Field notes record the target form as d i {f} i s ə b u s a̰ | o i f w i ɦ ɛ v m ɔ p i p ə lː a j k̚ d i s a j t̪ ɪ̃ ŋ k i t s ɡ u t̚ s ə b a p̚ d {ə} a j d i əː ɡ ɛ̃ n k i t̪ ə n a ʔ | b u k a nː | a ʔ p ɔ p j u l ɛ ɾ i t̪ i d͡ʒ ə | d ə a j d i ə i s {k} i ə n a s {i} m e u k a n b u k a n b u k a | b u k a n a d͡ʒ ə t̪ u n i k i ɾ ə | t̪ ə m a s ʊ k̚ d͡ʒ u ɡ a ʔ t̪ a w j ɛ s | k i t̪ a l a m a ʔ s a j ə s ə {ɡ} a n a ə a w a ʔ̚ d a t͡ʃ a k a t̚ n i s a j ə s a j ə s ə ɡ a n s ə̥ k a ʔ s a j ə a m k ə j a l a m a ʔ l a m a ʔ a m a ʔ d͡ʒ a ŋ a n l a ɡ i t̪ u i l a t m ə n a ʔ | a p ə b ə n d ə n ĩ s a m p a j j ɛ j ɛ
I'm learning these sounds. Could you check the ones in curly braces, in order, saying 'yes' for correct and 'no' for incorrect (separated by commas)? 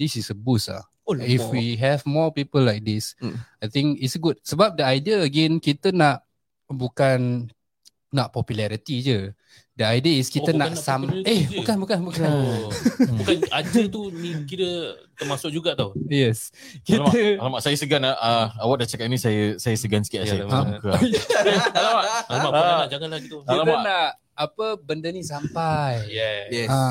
no, yes, yes, no, yes